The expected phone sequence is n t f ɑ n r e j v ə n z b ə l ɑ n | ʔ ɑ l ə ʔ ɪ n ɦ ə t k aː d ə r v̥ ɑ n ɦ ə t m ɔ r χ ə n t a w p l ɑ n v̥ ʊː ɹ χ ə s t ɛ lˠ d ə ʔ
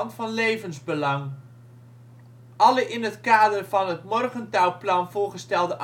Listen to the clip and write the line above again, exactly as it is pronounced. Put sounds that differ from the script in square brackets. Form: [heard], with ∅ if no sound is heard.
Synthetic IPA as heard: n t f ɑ n [l] e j v ə n z b ə l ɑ [ŋ] | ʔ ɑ l ə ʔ ɪ n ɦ ə t k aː d ə r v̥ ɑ n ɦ ə t m ɔ r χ ə n t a w p l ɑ n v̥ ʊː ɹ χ ə s t ɛ lˠ d ə ʔ